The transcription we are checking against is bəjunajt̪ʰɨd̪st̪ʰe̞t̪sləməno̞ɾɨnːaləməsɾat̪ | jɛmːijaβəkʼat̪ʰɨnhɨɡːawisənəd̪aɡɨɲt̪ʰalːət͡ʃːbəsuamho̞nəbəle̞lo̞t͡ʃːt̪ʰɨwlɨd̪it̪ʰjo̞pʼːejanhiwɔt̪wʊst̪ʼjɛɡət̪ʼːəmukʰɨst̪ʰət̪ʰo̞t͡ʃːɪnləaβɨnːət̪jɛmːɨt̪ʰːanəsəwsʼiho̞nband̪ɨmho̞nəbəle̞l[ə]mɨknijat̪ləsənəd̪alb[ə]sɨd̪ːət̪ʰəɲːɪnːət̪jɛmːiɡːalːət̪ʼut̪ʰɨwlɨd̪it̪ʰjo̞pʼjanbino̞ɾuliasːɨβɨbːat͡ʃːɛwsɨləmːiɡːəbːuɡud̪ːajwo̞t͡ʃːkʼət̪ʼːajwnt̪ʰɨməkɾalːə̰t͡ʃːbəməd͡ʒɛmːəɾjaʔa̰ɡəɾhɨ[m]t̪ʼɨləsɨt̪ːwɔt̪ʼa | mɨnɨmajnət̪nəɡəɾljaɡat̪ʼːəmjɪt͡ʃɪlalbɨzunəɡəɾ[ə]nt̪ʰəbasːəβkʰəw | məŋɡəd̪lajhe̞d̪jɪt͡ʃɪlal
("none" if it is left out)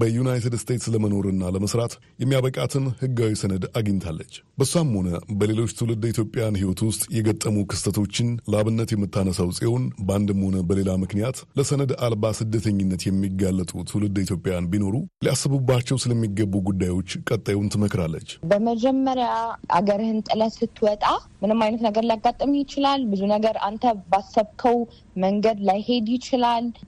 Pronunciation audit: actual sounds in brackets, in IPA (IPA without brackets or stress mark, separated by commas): a, a, n, a